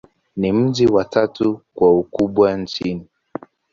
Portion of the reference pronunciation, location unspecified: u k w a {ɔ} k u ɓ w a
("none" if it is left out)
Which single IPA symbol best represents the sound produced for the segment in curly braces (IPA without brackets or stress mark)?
u